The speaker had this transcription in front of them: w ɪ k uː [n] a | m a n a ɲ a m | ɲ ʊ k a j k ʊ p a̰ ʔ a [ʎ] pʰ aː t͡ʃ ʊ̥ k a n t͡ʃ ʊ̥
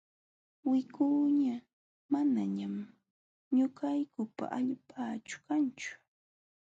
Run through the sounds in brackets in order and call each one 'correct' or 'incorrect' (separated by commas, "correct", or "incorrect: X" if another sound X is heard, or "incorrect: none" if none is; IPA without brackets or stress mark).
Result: incorrect: ɲ, correct